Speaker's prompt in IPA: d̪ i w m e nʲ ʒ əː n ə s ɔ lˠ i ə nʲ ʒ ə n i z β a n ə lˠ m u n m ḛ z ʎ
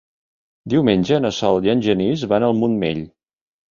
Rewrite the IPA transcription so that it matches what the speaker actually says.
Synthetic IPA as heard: d̪ i w m e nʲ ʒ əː n ə s ɔ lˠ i ə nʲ ʒ ə n i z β a n ə lˠ m u n m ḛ ʎ